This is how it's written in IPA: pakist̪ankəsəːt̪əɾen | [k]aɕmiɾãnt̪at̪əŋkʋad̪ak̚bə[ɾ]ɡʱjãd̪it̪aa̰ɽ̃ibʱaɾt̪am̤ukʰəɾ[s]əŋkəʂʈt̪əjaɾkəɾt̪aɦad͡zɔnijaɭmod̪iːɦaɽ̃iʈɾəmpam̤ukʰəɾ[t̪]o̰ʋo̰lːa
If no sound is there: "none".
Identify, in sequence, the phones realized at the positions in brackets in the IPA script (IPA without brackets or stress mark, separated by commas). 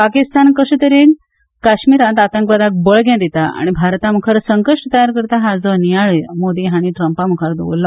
k, ɭ, s, d̪